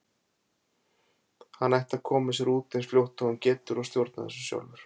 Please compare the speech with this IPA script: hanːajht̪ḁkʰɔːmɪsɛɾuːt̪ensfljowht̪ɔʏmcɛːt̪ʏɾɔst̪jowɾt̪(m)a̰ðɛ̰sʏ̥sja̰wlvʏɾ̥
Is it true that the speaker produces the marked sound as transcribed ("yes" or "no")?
no